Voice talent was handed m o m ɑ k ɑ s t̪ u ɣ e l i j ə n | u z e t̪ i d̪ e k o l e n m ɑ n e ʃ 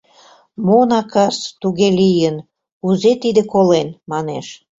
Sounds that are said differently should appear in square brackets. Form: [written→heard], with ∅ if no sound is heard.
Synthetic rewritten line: m o [m→n] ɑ k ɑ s t̪ u ɣ e l i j ə n | u z e t̪ i d̪ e k o l e n m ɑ n e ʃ